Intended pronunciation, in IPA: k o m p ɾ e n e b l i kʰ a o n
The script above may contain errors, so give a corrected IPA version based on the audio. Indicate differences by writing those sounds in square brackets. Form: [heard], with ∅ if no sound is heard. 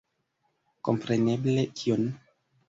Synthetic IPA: k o m p ɾ e n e b l [e] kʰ [i] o n